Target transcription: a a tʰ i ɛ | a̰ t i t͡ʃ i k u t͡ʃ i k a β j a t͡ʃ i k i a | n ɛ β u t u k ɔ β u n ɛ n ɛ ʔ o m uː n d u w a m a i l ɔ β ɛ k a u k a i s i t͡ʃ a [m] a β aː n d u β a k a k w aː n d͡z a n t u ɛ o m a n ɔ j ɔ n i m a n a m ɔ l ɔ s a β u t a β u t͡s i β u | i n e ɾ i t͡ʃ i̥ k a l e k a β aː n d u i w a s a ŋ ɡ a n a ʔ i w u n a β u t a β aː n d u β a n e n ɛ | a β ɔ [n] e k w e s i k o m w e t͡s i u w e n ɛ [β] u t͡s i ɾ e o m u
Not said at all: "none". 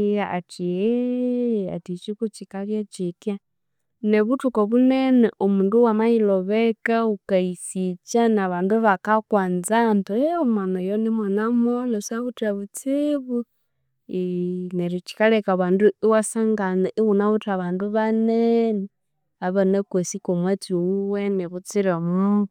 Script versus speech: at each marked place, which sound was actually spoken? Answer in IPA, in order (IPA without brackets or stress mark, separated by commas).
n, n, β